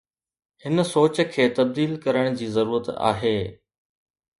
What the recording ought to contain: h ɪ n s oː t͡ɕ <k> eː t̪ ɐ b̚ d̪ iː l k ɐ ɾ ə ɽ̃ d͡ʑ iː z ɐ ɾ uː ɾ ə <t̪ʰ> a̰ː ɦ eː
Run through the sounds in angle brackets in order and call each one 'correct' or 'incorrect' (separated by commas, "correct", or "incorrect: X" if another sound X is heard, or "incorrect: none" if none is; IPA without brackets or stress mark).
incorrect: kʰ, incorrect: t̪